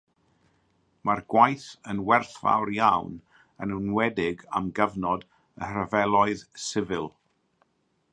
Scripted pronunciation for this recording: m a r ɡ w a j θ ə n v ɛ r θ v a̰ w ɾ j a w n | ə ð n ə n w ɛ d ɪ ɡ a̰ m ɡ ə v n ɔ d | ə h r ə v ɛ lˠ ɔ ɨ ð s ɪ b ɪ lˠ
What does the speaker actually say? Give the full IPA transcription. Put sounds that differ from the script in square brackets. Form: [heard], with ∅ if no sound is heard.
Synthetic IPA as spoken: m a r ɡ w a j θ ə n [w] ɛ r θ v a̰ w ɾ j a w n | ə [∅] n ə n w ɛ d ɪ ɡ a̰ m ɡ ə v n ɔ d | ə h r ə v ɛ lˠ ɔ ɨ ð s ɪ [v] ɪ lˠ